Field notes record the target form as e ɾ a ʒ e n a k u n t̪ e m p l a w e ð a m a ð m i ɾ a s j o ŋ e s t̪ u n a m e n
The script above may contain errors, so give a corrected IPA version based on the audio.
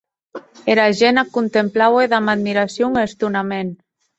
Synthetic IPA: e ɾ a ʒ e n a k u n t̪ e m p l a w e ð a m a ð m i ɾ a s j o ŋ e s t̪ u n a m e n